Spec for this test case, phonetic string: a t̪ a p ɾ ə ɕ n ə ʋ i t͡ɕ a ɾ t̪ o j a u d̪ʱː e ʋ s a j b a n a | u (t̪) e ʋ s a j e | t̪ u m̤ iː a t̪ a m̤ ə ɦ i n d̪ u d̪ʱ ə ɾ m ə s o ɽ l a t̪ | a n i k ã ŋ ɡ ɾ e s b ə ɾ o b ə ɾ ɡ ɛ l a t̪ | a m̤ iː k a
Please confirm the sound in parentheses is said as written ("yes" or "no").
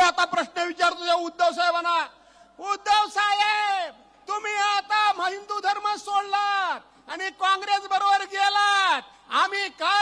no